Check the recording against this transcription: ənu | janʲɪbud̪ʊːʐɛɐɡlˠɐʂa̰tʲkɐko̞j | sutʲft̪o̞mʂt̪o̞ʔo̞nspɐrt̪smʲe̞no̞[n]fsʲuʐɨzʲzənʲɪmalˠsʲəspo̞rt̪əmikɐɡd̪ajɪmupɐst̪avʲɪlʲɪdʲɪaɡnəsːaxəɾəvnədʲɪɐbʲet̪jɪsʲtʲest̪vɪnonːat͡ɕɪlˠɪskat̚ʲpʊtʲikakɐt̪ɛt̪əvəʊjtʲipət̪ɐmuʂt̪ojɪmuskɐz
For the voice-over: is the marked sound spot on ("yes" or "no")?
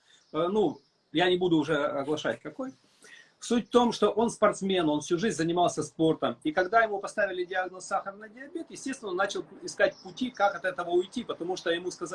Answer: yes